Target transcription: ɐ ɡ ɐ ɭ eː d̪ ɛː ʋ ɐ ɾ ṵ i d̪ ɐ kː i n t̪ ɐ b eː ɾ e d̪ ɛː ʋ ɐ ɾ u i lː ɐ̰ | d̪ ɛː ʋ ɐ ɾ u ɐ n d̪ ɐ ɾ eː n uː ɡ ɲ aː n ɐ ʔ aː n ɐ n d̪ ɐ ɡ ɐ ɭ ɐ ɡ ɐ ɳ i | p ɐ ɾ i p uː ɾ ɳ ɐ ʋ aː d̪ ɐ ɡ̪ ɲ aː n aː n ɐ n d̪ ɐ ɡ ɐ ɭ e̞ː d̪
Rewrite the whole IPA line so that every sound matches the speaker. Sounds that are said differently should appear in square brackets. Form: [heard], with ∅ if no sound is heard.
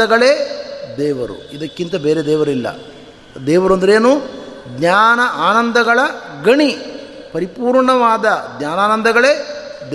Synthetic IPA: ɐ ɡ ɐ ɭ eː d̪ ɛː ʋ ɐ ɾ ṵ i d̪ ɐ kː i n t̪ ɐ b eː ɾ e d̪ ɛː ʋ ɐ ɾ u i lː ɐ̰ | d̪ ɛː ʋ ɐ ɾ u ɐ n d̪ ɐ ɾ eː n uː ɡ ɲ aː n ɐ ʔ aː n ɐ n d̪ ɐ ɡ ɐ ɭ ɐ ɡ ɐ ɳ i | p ɐ ɾ i p uː ɾ ɳ ɐ ʋ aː d̪ ɐ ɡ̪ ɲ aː n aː n ɐ n d̪ ɐ ɡ ɐ ɭ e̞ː d̪